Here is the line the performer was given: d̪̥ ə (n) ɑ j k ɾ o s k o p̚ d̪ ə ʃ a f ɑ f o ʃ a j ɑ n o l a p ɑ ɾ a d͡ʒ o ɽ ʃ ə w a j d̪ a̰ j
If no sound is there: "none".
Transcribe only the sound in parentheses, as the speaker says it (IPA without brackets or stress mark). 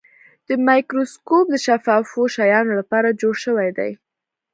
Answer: m